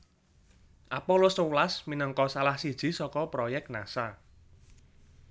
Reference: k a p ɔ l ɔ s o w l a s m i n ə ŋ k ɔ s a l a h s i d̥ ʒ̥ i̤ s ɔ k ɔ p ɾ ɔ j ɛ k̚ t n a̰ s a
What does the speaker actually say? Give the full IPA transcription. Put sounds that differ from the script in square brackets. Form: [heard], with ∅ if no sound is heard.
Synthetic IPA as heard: [ʔ] a p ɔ l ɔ s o w l a s m i n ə ŋ k ɔ s a l a h s i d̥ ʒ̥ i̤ s ɔ k ɔ p ɾ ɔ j ɛ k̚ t n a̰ s a